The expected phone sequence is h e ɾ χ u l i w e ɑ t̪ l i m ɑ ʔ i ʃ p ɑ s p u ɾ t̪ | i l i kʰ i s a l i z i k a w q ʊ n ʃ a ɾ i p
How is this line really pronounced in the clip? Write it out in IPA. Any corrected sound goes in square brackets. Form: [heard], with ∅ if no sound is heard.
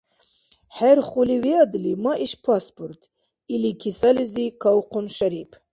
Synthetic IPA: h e ɾ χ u l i w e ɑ [d̪] l i m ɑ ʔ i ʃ p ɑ s p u ɾ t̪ | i l i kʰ i s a l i z i k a w q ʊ n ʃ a ɾ i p